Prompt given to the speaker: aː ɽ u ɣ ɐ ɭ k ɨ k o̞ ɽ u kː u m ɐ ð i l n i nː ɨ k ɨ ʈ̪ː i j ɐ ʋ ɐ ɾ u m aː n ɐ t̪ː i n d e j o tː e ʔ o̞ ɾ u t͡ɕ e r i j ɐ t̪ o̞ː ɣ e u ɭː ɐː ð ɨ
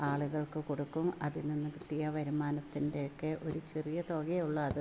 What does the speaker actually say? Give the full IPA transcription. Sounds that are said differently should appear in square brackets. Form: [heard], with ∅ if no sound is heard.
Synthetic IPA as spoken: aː [ɭ] u ɣ ɐ ɭ k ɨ k o̞ ɽ u kː u m ɐ ð i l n i nː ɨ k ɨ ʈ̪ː i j ɐ ʋ ɐ ɾ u m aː n ɐ t̪ː i n d e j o [kː] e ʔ o̞ ɾ u t͡ɕ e r i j ɐ t̪ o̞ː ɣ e u ɭː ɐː ð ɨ